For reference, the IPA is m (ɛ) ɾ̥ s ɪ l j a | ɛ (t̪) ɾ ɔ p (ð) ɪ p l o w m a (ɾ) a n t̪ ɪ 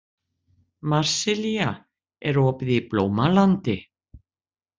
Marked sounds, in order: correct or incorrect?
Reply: incorrect, incorrect, correct, incorrect

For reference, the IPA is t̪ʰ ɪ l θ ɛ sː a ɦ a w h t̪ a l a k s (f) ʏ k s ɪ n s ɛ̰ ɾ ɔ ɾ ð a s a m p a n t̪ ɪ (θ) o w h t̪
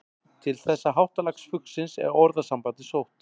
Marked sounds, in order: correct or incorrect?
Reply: correct, incorrect

